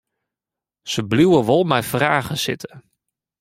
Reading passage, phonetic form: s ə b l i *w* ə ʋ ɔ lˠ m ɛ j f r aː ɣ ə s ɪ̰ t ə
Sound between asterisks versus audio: correct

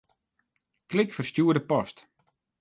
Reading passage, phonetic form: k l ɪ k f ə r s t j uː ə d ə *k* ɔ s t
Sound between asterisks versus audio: incorrect: p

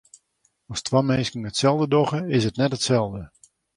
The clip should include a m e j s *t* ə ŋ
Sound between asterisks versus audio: incorrect: k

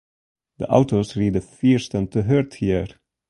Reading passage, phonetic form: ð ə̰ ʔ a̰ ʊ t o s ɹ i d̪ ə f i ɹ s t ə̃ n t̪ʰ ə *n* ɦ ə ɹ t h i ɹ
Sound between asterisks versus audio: incorrect: none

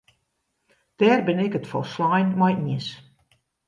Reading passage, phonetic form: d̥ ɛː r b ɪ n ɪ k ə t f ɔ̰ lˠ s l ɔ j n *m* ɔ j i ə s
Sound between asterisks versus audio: correct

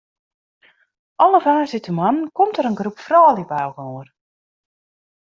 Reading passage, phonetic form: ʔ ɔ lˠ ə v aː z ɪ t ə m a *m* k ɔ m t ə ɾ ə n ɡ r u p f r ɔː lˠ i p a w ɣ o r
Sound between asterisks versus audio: incorrect: n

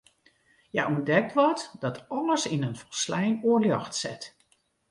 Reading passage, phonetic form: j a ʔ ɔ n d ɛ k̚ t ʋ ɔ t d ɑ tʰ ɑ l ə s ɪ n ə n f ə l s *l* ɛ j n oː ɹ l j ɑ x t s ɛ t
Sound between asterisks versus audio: correct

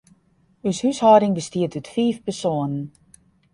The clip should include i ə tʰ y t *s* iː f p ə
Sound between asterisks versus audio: incorrect: f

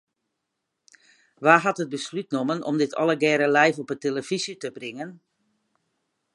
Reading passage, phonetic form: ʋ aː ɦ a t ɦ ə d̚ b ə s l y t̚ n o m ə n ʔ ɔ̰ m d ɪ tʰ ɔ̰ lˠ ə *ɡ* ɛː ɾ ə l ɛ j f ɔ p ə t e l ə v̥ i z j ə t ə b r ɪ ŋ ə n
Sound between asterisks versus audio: correct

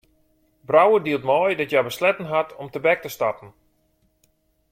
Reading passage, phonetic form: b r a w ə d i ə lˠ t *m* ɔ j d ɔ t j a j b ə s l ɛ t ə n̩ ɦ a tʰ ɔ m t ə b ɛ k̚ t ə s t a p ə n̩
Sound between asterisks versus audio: correct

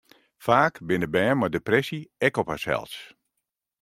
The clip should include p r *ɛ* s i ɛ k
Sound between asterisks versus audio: correct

